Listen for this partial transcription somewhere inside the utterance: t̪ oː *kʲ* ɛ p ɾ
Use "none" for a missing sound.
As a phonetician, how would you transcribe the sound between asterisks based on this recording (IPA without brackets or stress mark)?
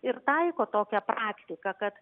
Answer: kʲ